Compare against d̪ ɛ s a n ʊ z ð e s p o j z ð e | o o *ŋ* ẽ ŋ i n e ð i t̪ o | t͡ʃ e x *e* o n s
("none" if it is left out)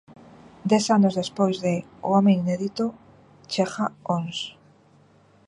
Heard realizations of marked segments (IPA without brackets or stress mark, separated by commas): m, a